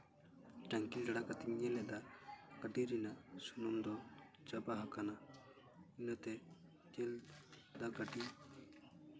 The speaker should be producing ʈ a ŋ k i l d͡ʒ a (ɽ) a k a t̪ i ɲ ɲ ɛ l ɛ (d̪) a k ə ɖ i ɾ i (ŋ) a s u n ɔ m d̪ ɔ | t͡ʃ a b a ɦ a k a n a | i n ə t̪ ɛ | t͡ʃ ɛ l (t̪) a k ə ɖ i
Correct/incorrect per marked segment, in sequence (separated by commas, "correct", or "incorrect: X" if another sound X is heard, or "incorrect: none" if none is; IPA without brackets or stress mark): correct, correct, incorrect: n, incorrect: d̪